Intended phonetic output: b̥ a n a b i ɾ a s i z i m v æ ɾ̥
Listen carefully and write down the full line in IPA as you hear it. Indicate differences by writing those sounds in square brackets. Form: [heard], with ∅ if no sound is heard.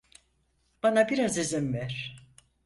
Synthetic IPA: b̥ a n a b i ɾ a [z] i z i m v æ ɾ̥